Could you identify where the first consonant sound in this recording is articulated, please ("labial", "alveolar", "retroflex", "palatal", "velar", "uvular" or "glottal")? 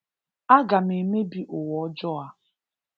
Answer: velar